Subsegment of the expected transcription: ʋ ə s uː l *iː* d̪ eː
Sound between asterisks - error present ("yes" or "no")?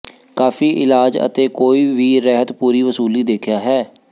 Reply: no